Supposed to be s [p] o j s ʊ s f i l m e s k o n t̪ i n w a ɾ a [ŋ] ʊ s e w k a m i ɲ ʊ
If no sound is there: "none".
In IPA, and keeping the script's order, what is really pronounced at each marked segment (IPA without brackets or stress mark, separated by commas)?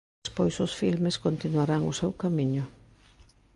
p, ŋ